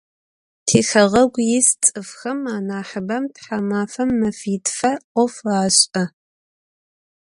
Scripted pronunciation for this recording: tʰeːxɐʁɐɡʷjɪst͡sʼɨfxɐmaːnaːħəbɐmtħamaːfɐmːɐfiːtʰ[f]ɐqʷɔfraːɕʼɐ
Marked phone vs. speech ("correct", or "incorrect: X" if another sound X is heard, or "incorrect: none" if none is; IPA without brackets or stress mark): correct